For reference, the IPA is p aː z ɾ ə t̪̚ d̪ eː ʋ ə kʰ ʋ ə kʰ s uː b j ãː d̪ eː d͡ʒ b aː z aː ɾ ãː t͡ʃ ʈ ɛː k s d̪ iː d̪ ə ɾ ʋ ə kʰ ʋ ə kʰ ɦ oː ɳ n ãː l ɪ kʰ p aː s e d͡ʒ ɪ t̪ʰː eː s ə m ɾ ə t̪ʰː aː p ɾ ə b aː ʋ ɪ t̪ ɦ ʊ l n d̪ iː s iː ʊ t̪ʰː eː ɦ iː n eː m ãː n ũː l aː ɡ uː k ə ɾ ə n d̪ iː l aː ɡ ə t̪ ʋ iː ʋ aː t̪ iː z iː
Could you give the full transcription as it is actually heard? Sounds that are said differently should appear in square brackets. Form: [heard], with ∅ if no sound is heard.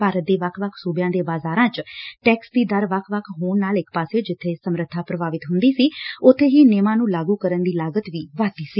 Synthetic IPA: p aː [∅] ɾ ə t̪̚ d̪ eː ʋ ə kʰ ʋ ə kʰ s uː b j ãː d̪ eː [∅] b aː z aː ɾ ãː t͡ʃ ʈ ɛː k s d̪ iː d̪ ə ɾ ʋ ə kʰ ʋ ə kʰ ɦ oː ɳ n [aː] l ɪ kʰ p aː s e d͡ʒ ɪ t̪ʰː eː s ə m ɾ ə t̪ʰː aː p ɾ ə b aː ʋ ɪ t̪ ɦ ʊ [∅] n d̪ iː s iː ʊ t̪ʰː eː ɦ iː n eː m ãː n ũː l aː ɡ uː k ə ɾ ə n d̪ iː l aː ɡ ə t̪ ʋ iː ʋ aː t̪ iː [s] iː